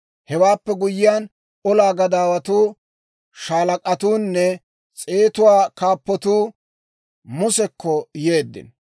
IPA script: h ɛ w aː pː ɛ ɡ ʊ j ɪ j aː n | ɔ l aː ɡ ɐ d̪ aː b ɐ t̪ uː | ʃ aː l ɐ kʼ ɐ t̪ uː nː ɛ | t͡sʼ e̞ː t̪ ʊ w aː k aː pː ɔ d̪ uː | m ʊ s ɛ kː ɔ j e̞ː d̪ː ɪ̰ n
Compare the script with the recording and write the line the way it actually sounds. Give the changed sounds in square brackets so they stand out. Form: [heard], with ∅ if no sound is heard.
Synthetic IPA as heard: h ɛ w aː pː ɛ ɡ ʊ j ɪ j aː n | ɔ l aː ɡ ɐ d̪ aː [w] ɐ t̪ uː | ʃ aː l ɐ kʼ ɐ t̪ uː nː ɛ | t͡sʼ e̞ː t̪ ʊ w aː k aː pː ɔ [t̪] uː | m ʊ s ɛ kː ɔ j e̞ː d̪ː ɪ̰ n